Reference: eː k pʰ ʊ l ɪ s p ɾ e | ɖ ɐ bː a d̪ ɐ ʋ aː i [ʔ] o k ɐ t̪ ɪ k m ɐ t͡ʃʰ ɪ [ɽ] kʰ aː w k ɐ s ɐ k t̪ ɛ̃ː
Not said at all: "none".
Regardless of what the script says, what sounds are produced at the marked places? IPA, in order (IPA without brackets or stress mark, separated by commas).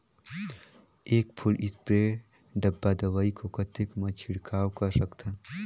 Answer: k, ɽ